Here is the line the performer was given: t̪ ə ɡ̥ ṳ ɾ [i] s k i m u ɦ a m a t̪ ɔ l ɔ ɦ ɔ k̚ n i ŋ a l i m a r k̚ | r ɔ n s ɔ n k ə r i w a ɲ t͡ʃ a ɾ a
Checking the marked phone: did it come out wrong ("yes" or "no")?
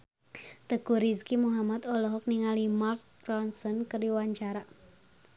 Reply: no